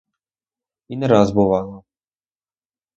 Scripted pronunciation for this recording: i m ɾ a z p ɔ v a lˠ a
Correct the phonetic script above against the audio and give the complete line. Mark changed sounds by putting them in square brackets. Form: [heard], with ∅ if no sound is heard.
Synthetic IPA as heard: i [n] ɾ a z [b] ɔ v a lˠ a